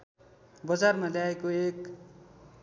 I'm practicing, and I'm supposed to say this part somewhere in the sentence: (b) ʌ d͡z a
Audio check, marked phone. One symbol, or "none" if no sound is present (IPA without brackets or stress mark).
b